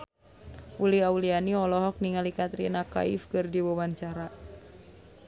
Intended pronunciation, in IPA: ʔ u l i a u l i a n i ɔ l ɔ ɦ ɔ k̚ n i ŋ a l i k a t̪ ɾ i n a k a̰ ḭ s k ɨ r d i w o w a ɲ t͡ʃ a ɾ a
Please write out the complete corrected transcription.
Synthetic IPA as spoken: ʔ u l i a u l i a n i ɔ l ɔ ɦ ɔ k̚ n i ŋ a l i k a t̪ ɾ i n a k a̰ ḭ f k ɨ r d i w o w a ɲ t͡ʃ a ɾ a